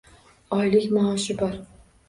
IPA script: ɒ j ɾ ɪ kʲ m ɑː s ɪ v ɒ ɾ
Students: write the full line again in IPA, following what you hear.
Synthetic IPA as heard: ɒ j l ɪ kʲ m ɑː ʃ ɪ b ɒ ɾ